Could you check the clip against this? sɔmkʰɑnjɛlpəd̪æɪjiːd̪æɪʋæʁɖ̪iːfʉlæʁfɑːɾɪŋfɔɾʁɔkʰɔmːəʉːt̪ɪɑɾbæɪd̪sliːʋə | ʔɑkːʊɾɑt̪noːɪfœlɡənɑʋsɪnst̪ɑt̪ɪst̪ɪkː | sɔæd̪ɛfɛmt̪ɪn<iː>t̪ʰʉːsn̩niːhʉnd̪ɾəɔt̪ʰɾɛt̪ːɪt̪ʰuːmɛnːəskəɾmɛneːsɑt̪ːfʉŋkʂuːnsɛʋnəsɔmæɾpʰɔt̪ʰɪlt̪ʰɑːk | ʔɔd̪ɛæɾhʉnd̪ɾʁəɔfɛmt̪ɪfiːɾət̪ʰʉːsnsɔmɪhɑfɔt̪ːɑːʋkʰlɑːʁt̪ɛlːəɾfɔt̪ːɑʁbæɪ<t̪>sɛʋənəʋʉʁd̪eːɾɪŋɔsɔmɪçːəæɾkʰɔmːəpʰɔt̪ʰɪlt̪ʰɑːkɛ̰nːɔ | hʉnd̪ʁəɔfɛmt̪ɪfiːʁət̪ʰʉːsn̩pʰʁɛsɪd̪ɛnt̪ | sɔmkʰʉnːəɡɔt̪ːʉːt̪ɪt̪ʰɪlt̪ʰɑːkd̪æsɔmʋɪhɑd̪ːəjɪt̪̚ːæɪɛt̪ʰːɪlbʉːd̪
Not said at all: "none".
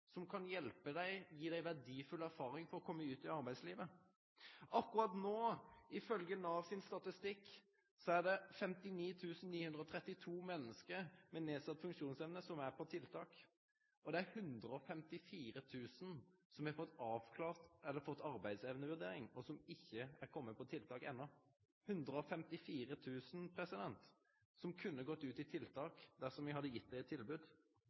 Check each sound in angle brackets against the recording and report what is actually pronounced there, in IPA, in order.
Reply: iː, d̪

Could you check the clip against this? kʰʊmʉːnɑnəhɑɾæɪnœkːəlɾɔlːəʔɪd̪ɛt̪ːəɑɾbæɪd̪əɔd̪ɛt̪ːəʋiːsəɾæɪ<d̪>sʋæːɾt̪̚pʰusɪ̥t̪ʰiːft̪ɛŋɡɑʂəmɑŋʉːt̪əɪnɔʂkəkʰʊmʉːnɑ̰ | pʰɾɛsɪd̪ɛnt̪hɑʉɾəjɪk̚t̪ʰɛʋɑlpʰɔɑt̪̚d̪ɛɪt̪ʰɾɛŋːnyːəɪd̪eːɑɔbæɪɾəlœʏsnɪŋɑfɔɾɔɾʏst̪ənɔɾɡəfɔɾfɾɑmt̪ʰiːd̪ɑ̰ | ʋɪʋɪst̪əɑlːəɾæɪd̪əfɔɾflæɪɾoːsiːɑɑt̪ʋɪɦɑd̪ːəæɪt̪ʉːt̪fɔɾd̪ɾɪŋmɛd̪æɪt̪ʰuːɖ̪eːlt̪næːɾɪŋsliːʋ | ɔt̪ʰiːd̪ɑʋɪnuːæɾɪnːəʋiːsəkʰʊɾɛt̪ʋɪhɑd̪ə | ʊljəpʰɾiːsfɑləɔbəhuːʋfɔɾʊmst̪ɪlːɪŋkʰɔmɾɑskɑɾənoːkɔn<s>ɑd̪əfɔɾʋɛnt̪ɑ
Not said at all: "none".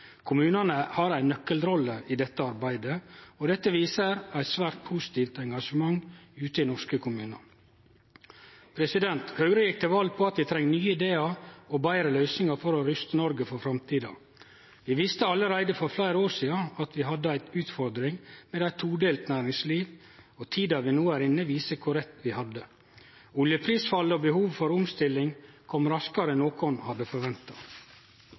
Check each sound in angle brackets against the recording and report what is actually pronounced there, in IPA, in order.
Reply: t̪, h

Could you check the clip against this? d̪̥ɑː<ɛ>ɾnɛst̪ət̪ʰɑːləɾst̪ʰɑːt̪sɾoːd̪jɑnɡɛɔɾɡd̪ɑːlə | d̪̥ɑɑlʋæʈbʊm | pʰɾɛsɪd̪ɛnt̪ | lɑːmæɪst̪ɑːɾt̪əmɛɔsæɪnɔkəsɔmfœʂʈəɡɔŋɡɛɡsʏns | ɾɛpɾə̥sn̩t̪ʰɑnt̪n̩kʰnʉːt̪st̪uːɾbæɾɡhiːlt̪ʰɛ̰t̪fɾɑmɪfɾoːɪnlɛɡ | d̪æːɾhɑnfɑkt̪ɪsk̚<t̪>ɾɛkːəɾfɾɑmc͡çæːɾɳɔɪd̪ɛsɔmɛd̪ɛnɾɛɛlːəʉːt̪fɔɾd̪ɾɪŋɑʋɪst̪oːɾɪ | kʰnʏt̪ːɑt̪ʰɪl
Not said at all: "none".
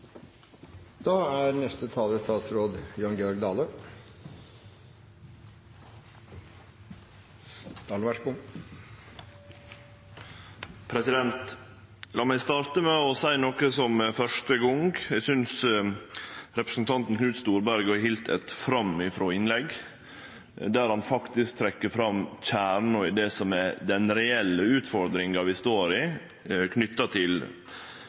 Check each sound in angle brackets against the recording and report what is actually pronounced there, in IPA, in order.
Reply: æ, t̪ʰ

